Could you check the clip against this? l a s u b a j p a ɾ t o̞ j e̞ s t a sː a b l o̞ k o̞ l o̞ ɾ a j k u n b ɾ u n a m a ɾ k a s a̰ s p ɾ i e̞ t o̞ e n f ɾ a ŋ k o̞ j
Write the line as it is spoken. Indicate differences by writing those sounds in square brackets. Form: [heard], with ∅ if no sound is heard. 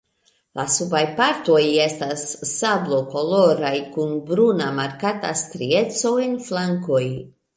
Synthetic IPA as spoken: l a s u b a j p a ɾ t o̞ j e̞ s t a sː a b l o̞ k o̞ l o̞ ɾ a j k u n b ɾ u n a m a ɾ k a [t] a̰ s [t] ɾ i e̞ [t͡s] o̞ e n f [l] a ŋ k o̞ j